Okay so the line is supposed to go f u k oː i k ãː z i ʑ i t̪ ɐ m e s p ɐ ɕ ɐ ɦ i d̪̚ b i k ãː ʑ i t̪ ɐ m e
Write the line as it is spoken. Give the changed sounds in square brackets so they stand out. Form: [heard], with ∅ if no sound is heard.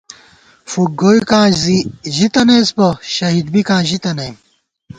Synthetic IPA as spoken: f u [ɡ] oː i k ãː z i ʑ i t̪ ɐ [n] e s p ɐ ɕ ɐ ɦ i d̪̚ b i k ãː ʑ i t̪ ɐ [n] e